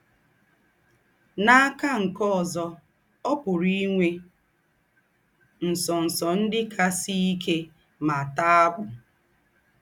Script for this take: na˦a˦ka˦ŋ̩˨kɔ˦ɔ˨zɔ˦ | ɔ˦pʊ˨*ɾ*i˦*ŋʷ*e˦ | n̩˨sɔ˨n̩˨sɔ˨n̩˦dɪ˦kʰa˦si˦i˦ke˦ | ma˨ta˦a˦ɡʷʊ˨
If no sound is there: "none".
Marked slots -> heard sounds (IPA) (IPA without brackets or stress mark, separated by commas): ɾ, ŋʷ